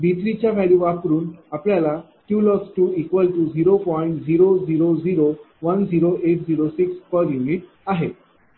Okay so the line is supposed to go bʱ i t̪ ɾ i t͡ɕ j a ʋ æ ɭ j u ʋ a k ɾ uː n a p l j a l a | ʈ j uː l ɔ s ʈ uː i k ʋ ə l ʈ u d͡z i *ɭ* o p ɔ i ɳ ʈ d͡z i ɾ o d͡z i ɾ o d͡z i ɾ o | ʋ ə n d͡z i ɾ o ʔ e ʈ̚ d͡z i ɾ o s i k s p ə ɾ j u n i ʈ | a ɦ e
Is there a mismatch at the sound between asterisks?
yes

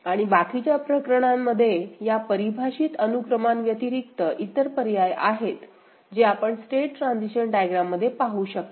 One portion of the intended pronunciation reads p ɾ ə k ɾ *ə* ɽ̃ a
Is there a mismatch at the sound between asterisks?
no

